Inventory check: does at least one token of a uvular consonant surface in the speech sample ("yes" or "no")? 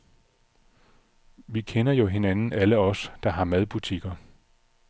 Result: no